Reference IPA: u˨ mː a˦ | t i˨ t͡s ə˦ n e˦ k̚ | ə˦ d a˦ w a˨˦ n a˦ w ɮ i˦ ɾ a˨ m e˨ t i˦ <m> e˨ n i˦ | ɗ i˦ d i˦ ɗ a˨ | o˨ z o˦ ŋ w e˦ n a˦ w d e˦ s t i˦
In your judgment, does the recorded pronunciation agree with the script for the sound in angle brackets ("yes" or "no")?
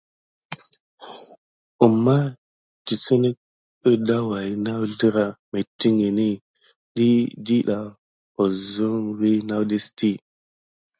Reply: no